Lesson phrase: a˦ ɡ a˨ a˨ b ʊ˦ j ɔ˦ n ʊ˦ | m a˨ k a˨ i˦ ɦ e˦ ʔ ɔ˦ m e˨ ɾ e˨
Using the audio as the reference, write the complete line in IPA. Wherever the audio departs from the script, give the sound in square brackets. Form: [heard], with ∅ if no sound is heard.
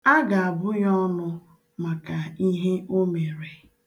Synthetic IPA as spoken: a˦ ɡ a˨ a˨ b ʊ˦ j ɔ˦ n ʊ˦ | m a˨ k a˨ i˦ ɦ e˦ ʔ [o˦] m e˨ ɾ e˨